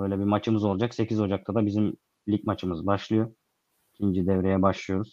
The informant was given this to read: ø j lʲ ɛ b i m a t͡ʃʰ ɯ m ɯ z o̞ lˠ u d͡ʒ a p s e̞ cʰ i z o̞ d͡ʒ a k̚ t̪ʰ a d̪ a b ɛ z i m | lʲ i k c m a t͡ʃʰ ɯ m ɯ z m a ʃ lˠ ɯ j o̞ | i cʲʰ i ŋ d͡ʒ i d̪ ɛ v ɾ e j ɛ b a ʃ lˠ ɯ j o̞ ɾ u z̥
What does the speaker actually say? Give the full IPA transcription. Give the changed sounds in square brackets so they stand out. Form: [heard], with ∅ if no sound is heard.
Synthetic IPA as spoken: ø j lʲ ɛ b i m a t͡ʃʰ ɯ m ɯ z o̞ lˠ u d͡ʒ a [k] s e̞ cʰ i z o̞ d͡ʒ a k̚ t̪ʰ a d̪ a b [i] z i m | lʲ i [∅] c m a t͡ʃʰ ɯ m ɯ z [b] a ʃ lˠ ɯ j o̞ | i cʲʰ i [n] d͡ʒ i d̪ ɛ v ɾ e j ɛ b a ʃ lˠ ɯ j o̞ ɾ u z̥